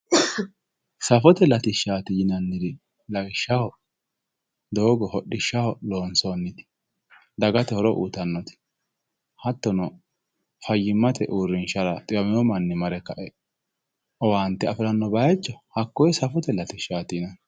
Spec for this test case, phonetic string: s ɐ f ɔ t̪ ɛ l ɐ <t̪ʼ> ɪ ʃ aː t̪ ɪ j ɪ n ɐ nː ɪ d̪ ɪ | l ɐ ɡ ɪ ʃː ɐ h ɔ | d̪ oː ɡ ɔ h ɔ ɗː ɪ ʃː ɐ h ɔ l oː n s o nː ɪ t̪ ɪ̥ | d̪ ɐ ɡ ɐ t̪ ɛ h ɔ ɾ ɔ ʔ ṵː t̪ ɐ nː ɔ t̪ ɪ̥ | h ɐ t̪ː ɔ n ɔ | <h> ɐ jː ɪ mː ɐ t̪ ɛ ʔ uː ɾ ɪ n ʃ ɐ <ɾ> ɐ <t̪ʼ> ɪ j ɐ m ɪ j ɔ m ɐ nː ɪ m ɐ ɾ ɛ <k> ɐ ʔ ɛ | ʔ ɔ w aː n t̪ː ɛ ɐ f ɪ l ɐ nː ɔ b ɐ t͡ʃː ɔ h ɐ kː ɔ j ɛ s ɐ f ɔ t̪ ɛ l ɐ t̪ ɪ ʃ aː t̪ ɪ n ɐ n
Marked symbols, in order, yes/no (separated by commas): no, no, yes, yes, yes